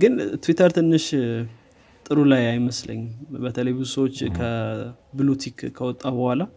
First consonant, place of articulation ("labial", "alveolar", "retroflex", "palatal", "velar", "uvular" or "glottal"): velar